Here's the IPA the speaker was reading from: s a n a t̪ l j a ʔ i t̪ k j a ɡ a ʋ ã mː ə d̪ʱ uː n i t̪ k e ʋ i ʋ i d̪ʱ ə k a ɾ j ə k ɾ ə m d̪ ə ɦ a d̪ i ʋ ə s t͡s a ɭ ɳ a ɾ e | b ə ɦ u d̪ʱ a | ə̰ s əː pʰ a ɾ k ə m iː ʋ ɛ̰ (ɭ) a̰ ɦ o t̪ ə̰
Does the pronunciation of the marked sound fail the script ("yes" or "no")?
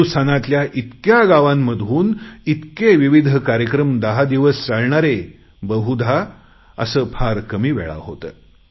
no